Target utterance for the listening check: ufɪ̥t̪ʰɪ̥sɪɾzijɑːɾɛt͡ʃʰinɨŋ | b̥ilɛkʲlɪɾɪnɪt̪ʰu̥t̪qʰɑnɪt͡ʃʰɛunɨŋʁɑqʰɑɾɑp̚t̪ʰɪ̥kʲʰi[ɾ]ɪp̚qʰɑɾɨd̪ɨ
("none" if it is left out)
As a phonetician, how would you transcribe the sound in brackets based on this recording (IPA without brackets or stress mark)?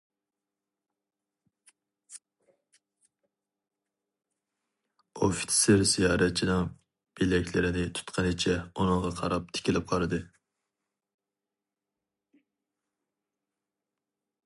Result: l